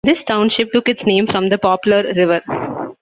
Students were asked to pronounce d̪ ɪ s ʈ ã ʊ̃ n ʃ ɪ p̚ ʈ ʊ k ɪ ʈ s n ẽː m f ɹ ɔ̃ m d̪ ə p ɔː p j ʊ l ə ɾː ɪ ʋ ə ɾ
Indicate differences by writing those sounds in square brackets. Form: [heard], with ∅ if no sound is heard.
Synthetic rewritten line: d̪ ɪ s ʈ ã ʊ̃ n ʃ ɪ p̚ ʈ ʊ k ɪ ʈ s n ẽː m f [ɾ] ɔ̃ m d̪ ə p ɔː p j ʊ l ə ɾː ɪ ʋ ə ɾ